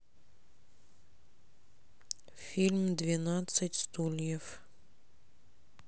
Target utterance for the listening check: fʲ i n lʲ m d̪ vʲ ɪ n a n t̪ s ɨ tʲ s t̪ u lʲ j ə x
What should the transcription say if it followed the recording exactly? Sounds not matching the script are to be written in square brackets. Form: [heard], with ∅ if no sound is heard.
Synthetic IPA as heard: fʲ i [∅] lʲ m d̪ vʲ ɪ n a [∅] t̪ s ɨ tʲ s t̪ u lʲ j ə [f]